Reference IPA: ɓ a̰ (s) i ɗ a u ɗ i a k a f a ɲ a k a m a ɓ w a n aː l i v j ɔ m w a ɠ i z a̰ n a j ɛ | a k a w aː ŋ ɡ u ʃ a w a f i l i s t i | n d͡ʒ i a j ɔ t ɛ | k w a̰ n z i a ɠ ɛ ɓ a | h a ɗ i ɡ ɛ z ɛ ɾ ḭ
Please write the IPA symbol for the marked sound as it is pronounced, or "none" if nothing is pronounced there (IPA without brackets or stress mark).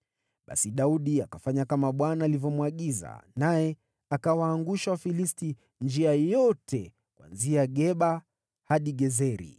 s